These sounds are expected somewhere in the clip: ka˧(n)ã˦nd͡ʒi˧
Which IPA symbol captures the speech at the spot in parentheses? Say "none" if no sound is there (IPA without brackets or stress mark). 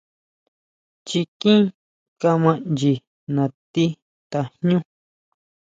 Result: m